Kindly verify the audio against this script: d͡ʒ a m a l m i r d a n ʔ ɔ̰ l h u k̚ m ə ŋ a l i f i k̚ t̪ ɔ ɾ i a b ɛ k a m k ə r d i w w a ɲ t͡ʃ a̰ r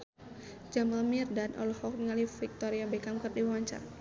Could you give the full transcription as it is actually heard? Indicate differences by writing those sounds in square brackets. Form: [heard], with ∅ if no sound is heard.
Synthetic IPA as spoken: d͡ʒ a m a l m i r d a n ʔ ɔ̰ l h [ɔ] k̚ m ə ŋ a l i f i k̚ t̪ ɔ ɾ i a b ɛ k a m k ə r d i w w a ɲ t͡ʃ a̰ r

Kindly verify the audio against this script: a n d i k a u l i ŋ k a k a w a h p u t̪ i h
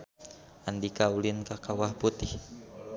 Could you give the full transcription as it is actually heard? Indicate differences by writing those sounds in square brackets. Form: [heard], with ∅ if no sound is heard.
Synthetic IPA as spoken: a n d i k a u l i [n] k a k a w a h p u t̪ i h

